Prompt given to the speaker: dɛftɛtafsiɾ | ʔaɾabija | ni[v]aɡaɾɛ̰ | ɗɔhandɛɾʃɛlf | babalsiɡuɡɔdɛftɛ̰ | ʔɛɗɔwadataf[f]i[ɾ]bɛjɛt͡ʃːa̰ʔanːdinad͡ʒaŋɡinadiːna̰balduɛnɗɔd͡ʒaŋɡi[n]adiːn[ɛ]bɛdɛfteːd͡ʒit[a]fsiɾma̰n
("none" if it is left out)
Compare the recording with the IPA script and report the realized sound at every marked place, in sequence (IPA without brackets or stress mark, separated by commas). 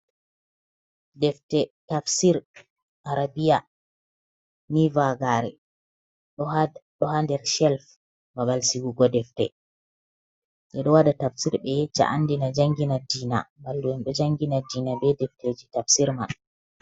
v, s, ɾ, n, a, a